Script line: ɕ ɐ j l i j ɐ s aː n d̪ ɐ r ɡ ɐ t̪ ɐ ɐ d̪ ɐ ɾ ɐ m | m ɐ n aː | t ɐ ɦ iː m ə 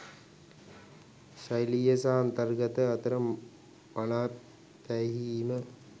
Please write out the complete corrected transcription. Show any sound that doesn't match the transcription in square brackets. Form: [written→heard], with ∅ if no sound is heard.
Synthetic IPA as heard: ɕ ɐ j l i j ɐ s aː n [d̪→t̪] ɐ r ɡ ɐ t̪ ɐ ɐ [d̪→t̪] ɐ ɾ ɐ m | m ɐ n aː | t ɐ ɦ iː m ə